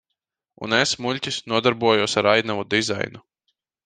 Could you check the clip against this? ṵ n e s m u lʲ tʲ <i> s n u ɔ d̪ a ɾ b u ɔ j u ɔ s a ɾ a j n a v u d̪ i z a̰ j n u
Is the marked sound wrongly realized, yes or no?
no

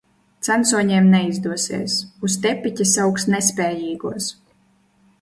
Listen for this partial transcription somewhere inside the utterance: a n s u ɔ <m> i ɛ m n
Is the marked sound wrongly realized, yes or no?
yes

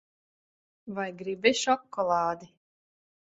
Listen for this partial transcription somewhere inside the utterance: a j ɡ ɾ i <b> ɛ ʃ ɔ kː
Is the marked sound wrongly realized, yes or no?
no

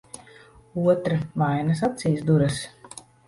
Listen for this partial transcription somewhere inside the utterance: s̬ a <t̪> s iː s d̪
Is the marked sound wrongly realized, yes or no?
no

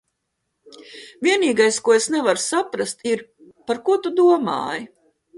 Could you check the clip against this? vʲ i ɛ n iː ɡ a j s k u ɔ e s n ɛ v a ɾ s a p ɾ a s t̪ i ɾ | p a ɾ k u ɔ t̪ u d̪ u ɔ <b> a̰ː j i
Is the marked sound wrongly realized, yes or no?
yes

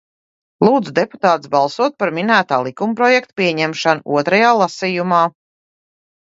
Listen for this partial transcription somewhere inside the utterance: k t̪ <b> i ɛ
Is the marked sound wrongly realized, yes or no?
yes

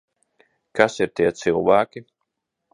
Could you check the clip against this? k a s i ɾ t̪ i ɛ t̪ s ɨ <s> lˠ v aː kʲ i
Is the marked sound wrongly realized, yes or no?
yes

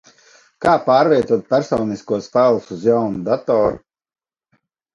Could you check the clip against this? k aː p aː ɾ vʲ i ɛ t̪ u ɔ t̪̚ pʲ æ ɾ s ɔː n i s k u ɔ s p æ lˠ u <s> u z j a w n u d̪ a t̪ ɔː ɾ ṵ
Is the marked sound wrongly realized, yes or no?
no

